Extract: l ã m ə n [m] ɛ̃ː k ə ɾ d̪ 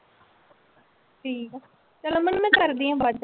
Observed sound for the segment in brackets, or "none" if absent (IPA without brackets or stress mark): m